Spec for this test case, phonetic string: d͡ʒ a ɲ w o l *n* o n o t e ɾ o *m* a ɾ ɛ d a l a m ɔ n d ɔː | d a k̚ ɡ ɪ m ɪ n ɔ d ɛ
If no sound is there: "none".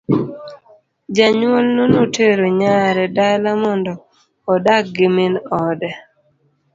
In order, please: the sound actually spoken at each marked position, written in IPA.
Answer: n, ɲ

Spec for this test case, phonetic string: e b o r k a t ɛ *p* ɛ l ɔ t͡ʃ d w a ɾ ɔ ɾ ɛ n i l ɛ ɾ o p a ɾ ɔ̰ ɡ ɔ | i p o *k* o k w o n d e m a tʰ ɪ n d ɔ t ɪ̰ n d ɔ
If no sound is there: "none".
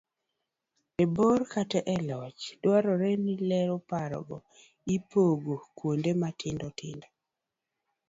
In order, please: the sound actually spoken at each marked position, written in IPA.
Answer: ʔ, ɡ

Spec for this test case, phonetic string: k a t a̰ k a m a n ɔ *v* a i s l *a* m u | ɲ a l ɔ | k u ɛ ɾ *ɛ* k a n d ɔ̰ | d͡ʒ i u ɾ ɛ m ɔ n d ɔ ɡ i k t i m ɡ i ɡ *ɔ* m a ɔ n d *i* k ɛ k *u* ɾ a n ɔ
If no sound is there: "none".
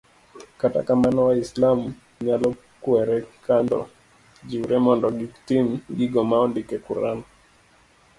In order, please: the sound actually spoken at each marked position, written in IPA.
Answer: w, a, ɛ, ɔ, i, u

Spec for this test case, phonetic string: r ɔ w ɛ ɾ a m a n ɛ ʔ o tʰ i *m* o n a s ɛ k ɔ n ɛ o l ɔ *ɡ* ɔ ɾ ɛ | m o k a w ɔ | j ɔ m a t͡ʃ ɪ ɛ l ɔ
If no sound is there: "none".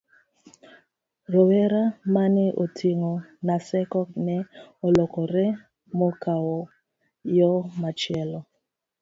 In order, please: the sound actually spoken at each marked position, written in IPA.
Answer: ŋ, k

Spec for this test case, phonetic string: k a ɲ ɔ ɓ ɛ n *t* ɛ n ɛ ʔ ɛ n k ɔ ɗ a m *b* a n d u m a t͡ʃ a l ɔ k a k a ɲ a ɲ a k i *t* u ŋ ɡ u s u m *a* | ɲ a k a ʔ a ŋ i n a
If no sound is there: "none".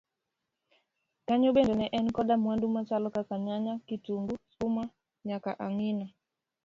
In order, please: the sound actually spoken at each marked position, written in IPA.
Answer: d, w, t, a

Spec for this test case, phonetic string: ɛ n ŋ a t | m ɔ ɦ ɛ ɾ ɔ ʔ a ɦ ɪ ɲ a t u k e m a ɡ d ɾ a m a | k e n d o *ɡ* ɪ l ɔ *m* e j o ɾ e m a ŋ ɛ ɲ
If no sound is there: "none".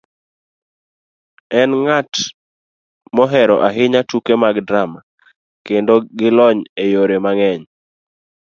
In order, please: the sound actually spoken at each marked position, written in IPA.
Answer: ɡ, ɲ

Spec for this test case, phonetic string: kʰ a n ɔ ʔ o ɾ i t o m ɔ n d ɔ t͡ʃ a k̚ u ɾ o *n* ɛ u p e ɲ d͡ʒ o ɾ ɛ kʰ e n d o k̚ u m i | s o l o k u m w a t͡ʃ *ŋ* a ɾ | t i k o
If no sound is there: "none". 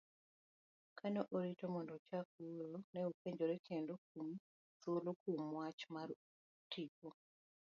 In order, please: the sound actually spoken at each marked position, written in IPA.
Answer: n, m

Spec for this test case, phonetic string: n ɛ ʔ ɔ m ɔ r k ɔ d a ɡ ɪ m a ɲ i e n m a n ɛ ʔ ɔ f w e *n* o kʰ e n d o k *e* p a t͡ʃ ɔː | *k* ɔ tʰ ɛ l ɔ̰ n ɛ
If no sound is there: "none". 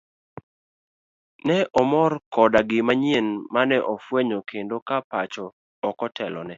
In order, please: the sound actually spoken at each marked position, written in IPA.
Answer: ɲ, a, k

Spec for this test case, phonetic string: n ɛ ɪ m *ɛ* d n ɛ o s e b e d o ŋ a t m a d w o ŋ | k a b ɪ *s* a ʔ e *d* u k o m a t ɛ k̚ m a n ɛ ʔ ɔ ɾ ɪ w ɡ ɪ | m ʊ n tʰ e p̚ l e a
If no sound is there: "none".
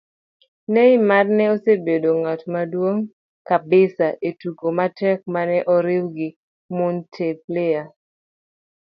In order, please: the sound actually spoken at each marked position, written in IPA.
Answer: a, s, t

